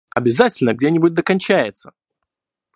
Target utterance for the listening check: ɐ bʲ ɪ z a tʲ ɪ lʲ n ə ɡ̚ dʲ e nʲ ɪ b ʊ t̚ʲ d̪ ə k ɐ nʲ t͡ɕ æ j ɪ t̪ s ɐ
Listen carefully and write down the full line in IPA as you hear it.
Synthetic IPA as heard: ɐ bʲ ɪ z a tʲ ɪ lʲ n ə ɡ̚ dʲ e nʲ ɪ b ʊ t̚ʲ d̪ ə k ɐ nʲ t͡ɕ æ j ɪ t̪ s ə